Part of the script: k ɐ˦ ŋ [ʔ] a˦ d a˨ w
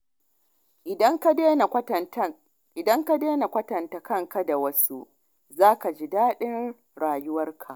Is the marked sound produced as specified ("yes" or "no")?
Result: no